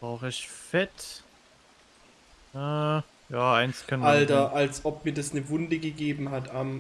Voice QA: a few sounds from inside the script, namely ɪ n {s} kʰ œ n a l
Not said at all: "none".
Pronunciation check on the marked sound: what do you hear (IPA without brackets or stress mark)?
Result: s